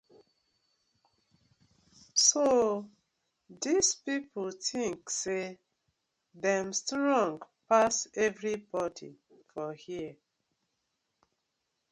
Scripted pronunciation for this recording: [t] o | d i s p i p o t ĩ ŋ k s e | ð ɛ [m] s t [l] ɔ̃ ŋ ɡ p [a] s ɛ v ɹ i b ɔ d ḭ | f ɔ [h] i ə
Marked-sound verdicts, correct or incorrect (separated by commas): incorrect, correct, incorrect, correct, correct